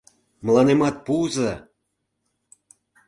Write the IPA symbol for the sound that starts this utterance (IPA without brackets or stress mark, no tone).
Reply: m